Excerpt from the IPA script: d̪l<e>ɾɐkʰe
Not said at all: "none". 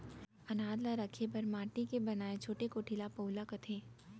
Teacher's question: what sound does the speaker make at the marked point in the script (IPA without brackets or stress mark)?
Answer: a